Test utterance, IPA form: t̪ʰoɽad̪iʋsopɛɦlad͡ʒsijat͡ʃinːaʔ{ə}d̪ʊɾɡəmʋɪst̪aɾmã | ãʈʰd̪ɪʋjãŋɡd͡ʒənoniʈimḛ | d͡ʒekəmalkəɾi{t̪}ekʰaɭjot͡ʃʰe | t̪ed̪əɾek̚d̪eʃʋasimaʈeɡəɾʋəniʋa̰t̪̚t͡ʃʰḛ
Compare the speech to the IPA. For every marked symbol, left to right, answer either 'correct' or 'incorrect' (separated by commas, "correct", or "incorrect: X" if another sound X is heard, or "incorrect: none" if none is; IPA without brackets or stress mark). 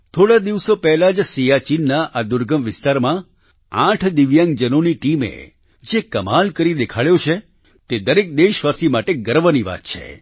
incorrect: a, incorrect: d̪